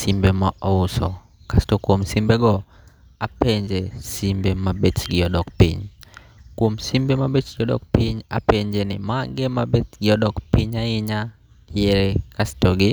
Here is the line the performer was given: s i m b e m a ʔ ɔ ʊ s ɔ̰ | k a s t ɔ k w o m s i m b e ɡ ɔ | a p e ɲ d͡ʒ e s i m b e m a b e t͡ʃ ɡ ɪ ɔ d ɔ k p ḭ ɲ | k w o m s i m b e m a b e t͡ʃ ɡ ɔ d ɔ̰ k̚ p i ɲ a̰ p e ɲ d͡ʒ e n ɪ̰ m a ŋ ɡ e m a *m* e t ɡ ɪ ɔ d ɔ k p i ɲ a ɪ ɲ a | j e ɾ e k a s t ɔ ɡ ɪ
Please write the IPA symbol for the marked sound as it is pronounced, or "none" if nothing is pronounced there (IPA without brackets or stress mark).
b